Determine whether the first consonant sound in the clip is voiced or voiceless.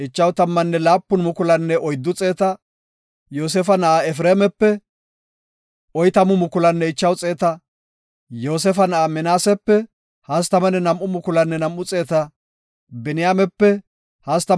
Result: voiceless